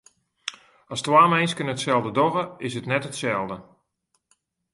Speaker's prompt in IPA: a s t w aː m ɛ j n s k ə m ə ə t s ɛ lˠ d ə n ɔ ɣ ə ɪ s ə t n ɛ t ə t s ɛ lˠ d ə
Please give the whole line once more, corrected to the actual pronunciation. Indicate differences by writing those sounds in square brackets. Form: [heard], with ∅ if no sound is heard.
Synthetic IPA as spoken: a s t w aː m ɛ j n s k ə [n] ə ə t s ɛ lˠ d ə [d] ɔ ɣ ə ɪ s ə t n ɛ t ə t s ɛ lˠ d ə